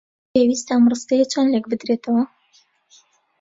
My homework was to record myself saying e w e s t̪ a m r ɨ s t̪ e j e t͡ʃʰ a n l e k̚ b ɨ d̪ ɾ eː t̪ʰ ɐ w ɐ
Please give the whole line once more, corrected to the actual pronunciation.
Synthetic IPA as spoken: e w i s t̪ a m r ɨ s t̪ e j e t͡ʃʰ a n l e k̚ b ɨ d̪ ɾ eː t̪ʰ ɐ w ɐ